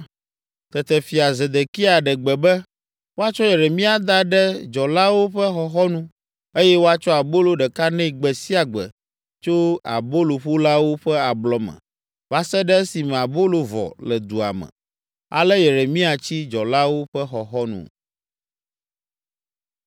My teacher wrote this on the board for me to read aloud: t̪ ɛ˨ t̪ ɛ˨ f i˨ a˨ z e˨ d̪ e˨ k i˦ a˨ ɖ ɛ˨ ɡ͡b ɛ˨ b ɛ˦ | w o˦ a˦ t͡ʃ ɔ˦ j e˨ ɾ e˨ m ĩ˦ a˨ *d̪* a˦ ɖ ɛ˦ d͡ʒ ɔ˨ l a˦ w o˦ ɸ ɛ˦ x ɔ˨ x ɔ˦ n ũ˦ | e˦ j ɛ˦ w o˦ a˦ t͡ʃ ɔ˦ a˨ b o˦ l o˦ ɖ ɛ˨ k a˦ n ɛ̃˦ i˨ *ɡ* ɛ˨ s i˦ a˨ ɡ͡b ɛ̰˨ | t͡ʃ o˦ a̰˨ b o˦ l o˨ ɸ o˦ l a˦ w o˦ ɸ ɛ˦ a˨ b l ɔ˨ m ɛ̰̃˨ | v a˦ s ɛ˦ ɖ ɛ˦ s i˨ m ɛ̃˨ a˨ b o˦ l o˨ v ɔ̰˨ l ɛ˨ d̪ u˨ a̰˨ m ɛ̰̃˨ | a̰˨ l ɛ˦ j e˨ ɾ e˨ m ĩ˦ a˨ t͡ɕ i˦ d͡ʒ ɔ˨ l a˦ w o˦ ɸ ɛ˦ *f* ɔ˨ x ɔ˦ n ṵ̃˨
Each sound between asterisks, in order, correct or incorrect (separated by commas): correct, incorrect, incorrect